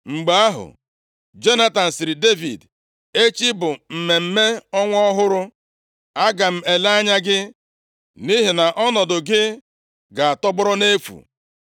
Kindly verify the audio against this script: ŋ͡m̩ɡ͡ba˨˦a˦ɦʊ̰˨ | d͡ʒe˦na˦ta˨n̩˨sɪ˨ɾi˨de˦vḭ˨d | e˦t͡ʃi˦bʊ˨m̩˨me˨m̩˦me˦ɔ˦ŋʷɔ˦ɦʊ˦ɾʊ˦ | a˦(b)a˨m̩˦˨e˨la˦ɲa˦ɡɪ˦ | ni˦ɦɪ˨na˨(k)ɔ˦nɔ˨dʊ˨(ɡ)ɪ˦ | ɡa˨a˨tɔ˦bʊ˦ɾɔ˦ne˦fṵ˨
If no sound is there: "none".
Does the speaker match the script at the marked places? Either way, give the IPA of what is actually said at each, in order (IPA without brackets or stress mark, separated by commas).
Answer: ɡ, ʔ, ɡ